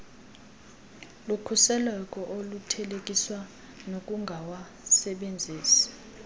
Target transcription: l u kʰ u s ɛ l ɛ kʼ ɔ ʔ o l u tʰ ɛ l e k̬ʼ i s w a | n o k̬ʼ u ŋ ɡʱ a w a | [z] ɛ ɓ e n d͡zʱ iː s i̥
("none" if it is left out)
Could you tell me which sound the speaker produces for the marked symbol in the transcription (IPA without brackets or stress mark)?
s